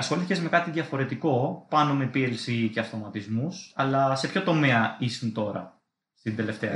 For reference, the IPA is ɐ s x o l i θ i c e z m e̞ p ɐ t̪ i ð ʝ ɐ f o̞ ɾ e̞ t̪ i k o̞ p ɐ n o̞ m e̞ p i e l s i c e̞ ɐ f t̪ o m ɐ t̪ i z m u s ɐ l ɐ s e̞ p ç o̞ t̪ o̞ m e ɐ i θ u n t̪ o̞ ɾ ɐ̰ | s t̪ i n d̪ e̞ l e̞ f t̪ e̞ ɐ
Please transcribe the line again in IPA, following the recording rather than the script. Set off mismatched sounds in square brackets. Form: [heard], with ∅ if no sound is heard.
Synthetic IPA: ɐ s x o l i θ i c e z m e̞ [k] ɐ t̪ i ð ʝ ɐ f o̞ ɾ e̞ t̪ i k o̞ p ɐ n o̞ m e̞ p i e l s i c e̞ ɐ f t̪ o m ɐ t̪ i z m u s ɐ l ɐ s e̞ p ç o̞ t̪ o̞ m e ɐ i [s] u n t̪ o̞ ɾ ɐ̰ | s t̪ i n d̪ e̞ l e̞ f t̪ e̞ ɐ